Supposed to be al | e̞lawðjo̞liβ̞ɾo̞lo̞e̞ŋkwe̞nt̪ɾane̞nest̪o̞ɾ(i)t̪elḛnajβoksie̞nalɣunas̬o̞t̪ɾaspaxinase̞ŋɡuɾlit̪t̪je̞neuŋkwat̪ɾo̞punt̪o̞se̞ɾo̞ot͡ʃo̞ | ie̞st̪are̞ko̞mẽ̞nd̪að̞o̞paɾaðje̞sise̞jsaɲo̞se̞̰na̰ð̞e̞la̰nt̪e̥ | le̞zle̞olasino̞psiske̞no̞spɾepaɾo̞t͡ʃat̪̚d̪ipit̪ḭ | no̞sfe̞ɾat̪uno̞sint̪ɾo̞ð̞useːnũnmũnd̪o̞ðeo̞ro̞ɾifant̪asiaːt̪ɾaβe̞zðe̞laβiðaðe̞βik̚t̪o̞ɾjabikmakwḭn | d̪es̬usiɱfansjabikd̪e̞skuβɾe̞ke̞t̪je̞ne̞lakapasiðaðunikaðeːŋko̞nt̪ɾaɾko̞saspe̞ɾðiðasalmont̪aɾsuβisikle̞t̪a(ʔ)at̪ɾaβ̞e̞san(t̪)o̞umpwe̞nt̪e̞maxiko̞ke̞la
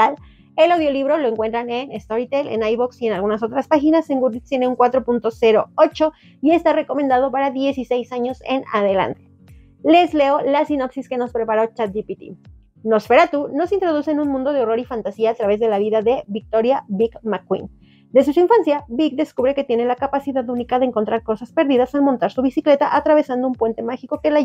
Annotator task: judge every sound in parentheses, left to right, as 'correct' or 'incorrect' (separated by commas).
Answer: correct, correct, incorrect